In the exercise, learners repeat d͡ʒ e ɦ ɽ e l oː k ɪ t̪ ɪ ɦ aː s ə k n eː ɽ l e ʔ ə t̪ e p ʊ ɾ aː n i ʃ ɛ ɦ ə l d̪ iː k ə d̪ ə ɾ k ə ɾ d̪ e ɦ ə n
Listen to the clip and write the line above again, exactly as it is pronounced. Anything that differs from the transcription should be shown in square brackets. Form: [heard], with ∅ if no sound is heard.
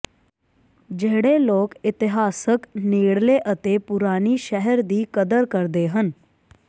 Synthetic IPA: d͡ʒ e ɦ ɽ e l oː k ɪ t̪ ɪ ɦ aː s ə k n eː ɽ l e ʔ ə t̪ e p ʊ ɾ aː n i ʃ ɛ ɦ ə [ɾ] d̪ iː k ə d̪ ə ɾ k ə ɾ d̪ e ɦ ə n